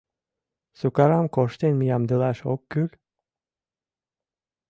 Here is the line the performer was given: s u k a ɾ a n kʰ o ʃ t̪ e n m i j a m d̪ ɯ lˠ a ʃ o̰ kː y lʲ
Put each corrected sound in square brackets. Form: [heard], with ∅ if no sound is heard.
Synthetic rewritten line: s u k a ɾ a [m] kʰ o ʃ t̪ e n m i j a m d̪ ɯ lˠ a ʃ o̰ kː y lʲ